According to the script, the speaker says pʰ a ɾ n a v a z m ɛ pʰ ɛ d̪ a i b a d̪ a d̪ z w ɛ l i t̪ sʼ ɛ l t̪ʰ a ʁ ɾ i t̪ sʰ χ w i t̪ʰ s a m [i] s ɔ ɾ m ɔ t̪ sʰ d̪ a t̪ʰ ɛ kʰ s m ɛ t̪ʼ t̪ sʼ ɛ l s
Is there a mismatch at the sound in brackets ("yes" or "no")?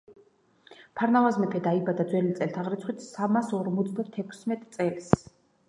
yes